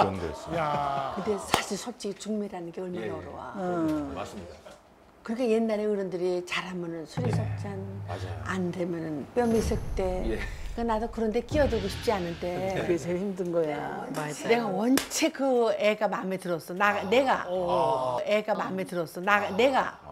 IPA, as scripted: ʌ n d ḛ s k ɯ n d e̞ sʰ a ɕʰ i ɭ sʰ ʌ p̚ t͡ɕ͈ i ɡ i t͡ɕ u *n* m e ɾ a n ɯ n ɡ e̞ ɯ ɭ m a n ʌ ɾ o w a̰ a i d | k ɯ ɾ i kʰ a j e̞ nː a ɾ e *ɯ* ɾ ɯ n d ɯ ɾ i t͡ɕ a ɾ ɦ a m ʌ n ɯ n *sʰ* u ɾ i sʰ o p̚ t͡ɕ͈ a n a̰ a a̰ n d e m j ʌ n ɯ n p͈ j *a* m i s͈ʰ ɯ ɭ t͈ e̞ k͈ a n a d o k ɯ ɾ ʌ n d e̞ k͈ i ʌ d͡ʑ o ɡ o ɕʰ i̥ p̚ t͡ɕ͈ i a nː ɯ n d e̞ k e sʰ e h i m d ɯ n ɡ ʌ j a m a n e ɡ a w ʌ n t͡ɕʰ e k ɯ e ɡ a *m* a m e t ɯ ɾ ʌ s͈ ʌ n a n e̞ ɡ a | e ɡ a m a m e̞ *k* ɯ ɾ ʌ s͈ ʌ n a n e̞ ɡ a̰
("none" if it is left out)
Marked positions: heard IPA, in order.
ŋ, ɯ, sʰ, ʌ, m, t

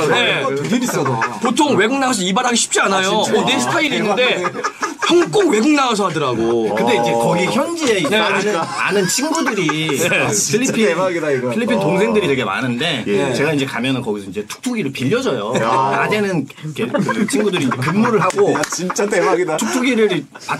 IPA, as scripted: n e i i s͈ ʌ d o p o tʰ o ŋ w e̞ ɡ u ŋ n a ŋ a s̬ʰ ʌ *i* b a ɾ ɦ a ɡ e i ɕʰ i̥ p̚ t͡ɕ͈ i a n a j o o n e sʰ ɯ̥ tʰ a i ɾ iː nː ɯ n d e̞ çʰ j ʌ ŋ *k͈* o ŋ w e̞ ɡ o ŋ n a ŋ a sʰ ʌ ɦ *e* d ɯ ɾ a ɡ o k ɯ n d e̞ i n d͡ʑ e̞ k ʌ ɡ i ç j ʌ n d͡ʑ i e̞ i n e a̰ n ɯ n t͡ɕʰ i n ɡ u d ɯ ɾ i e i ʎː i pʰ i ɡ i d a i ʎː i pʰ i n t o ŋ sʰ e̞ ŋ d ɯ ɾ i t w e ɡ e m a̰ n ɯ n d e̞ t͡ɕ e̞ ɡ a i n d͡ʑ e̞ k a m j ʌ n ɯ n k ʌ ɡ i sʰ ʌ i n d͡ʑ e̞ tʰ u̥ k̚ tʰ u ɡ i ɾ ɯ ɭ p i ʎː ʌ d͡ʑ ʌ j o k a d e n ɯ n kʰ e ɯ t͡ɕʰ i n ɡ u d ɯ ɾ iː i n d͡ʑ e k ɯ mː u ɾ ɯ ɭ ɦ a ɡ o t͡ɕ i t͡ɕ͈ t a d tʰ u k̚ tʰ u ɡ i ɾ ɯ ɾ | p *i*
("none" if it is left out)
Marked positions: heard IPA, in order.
i, k͈, a, a

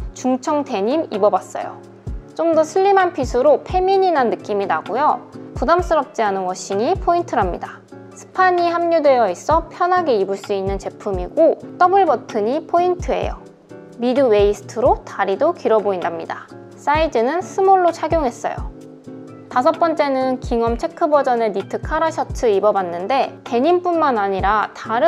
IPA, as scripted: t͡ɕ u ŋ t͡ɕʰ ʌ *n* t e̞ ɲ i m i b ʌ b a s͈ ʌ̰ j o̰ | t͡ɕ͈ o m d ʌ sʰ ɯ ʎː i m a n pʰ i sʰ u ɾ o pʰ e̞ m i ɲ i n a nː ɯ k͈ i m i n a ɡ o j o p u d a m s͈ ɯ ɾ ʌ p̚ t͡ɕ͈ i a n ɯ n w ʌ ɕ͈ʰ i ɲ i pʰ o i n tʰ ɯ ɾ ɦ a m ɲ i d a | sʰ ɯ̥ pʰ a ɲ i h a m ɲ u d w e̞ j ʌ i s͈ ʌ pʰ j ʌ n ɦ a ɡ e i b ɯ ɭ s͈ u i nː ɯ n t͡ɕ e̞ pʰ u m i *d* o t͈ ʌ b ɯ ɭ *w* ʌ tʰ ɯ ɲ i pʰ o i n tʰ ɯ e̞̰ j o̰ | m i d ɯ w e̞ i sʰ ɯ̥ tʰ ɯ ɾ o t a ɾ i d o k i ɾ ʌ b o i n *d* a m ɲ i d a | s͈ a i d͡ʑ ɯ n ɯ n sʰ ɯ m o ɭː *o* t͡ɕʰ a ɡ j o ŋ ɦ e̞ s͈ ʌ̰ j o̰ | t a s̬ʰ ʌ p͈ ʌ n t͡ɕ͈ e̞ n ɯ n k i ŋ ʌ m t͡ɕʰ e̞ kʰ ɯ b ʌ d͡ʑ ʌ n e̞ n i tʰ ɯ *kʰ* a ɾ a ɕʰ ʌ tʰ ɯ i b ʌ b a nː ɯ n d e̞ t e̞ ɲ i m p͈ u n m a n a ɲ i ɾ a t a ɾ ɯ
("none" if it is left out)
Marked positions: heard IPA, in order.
ŋ, ɡ, b, d, o, kʰ

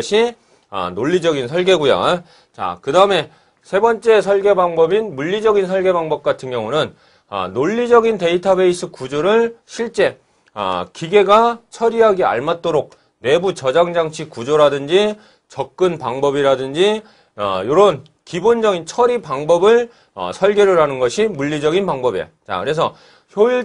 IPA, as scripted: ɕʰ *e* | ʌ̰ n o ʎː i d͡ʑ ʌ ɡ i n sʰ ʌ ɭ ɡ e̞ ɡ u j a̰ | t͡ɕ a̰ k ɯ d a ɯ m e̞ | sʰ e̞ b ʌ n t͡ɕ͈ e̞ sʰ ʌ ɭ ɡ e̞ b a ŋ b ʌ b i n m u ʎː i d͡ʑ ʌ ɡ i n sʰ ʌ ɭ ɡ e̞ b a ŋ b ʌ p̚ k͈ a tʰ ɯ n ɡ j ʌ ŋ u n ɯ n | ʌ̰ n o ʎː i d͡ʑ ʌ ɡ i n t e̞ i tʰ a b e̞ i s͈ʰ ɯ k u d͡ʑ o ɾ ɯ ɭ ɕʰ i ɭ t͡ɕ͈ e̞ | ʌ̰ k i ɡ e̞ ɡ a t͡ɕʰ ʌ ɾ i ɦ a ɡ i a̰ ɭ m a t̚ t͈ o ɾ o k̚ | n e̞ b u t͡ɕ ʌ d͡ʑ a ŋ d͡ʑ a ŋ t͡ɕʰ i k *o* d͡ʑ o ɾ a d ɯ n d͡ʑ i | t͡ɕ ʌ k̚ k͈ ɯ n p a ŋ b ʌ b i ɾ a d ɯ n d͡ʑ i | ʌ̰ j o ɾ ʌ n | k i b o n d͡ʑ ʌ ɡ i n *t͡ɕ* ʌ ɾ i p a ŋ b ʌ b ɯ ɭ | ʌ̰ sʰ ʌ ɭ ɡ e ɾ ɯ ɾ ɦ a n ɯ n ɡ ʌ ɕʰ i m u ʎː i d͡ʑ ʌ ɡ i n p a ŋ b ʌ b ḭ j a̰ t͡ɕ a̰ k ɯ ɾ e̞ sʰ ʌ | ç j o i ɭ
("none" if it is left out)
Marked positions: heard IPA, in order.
i, u, t͡ɕʰ

